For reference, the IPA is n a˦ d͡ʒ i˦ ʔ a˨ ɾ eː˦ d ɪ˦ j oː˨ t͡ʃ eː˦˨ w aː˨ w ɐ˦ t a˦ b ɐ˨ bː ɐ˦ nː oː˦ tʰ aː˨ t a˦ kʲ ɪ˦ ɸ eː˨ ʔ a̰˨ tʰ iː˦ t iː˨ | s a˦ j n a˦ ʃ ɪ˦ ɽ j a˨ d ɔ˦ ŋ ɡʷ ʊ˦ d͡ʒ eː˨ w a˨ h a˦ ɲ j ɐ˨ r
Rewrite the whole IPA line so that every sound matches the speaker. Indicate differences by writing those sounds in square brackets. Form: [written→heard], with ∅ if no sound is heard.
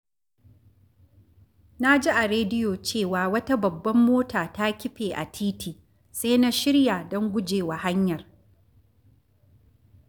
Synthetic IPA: n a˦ d͡ʒ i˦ ʔ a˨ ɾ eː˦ d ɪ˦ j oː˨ t͡ʃ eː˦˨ w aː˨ w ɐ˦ t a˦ b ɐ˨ bː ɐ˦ [nː→mː] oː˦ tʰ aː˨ t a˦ kʲ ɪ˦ ɸ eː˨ ʔ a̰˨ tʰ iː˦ t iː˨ | s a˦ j n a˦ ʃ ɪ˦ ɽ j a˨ d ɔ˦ ŋ ɡʷ ʊ˦ d͡ʒ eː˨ w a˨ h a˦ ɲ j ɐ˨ r